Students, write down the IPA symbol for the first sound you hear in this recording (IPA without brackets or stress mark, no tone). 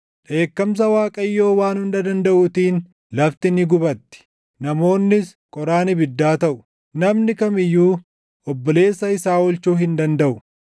ᶑ